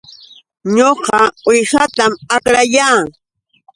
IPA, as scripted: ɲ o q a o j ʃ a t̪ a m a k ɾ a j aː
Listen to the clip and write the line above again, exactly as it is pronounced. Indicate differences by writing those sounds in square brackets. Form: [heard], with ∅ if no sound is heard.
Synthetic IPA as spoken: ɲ o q [ɑ] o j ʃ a t̪ a m a k ɾ a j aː